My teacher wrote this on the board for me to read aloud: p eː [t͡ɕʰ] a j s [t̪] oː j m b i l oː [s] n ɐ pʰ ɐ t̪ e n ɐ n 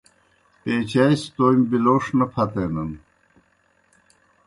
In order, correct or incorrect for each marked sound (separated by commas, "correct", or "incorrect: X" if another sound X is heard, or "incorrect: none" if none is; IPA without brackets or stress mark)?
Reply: incorrect: t͡ɕ, correct, incorrect: ʂ